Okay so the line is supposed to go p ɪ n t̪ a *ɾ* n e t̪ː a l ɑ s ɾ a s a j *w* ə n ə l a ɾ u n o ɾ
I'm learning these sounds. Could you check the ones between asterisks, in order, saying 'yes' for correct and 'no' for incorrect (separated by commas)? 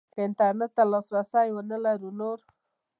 yes, yes